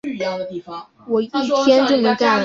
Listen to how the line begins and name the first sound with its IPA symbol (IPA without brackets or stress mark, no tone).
w